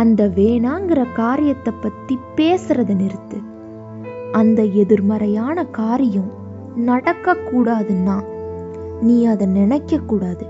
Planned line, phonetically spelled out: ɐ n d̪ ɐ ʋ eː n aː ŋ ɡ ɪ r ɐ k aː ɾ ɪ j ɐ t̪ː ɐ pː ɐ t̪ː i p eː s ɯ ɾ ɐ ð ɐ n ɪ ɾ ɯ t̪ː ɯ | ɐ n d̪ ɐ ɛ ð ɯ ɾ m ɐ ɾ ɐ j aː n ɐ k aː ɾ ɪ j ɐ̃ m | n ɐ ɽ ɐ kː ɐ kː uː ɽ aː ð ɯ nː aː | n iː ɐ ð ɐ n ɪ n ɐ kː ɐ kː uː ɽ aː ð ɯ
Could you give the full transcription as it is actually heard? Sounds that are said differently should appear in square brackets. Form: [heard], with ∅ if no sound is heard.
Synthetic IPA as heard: ɐ n d̪ ɐ ʋ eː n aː ŋ ɡ ɪ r ɐ k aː ɾ ɪ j ɐ t̪ː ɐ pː ɐ t̪ː i p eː s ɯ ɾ ɐ ð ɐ n ɪ ɾ ɯ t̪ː ɯ | ɐ n d̪ ɐ ɛ ð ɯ ɾ m ɐ ɾ ɐ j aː n ɐ k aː ɾ ɪ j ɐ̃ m | n ɐ ɽ ɐ kː ɐ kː uː ɽ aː ð ɯ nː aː | n iː ɐ ð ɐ n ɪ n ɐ kː ɐ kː uː ɽ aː ð ɯ